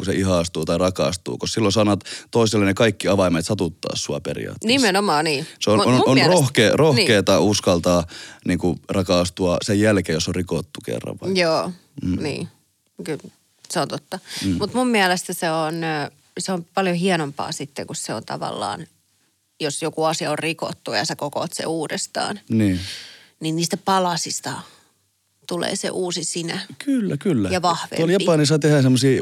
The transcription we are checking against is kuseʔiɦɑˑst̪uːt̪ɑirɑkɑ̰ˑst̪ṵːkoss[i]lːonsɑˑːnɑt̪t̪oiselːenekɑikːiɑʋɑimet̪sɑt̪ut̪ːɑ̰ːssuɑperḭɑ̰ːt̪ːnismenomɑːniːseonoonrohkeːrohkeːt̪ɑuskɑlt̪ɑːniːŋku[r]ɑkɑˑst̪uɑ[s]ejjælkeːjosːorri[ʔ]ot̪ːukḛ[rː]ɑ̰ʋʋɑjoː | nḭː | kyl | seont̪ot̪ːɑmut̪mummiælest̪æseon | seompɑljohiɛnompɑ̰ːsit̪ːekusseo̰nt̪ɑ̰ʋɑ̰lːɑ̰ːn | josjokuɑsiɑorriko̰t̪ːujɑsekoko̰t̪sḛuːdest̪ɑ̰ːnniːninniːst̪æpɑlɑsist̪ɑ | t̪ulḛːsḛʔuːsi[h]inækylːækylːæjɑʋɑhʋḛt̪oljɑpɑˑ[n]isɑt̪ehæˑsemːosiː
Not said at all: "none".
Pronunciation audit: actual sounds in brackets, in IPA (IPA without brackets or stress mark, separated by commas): i, r, s, k, rː, s, n